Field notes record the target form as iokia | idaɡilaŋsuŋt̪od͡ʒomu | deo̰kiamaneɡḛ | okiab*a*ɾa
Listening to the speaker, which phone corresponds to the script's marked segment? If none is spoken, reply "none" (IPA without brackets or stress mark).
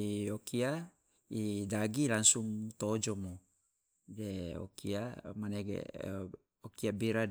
i